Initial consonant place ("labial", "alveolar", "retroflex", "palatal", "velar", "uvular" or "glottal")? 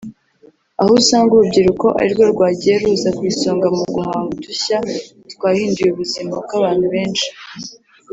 glottal